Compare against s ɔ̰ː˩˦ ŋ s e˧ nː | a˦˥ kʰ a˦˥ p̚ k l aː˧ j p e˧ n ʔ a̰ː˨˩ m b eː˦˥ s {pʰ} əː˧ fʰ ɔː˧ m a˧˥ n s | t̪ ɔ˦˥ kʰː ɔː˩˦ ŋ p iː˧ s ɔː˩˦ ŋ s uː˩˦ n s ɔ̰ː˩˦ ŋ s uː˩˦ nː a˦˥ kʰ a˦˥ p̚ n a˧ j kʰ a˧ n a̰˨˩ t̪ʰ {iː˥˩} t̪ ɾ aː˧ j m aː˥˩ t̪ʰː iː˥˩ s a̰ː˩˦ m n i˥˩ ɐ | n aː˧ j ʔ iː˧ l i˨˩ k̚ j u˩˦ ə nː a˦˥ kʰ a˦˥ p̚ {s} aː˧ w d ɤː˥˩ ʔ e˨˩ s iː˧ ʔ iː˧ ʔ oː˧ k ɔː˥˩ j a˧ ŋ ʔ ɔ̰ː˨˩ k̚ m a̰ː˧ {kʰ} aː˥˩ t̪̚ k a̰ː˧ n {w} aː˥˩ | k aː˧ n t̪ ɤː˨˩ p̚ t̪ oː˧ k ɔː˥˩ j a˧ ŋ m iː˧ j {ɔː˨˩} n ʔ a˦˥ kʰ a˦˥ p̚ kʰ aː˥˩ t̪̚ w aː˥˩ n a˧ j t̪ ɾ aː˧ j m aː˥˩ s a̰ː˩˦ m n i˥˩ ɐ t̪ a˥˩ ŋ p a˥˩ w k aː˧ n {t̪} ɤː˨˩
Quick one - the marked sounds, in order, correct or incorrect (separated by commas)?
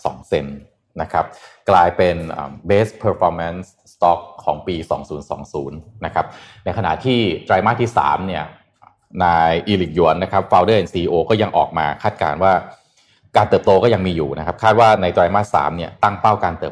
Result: correct, correct, incorrect, correct, correct, incorrect, correct